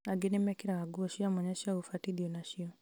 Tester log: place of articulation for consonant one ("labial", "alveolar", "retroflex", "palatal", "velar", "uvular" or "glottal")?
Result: velar